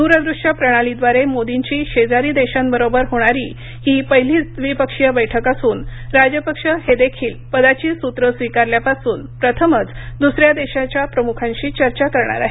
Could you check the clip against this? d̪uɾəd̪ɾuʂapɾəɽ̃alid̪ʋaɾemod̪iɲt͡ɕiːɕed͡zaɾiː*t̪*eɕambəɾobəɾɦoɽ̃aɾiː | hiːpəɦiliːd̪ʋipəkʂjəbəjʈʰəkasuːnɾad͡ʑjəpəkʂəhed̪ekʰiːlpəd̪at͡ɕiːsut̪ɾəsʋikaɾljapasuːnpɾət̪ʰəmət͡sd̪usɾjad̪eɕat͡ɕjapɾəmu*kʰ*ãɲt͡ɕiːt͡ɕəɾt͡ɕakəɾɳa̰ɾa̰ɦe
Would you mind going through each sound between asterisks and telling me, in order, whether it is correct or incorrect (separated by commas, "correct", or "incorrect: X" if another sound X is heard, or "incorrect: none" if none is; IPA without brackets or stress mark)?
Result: incorrect: d̪, correct